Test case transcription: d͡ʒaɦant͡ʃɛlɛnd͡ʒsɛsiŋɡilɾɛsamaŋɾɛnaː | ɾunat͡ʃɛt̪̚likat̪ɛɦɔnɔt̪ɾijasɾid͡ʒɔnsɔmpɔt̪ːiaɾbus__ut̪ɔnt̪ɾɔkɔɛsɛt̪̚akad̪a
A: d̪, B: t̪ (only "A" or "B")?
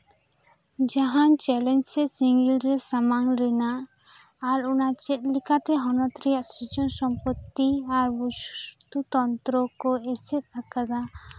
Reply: B